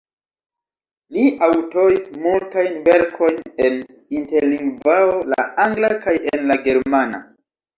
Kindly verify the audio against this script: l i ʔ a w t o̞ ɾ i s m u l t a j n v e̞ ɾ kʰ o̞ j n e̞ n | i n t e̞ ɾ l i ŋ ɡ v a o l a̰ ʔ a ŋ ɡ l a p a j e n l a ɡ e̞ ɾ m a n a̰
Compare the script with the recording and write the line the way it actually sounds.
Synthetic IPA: l i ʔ a w t o̞ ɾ i s m u l t a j n v e̞ ɾ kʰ o̞ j n e̞ n | i n t e̞ ɾ l i ŋ ɡ v a o l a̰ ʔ a ŋ ɡ l a k a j e n l a ɡ e̞ ɾ m a n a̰